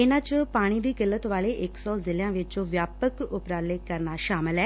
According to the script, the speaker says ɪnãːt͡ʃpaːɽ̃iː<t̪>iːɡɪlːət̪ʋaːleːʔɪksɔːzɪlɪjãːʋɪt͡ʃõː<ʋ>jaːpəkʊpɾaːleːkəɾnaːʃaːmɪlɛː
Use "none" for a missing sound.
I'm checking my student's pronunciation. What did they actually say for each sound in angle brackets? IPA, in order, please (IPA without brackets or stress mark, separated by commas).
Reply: d̪, ʋ